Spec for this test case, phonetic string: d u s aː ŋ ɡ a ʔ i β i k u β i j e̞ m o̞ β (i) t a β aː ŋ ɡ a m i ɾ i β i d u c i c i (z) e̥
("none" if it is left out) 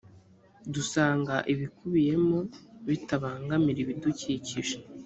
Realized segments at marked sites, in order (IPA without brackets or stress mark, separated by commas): i, ʒ